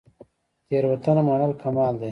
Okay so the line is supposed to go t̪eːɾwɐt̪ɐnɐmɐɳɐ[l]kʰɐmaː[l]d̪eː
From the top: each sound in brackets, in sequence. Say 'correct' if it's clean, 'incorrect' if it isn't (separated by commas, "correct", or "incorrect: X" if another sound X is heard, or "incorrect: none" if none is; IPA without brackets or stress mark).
correct, correct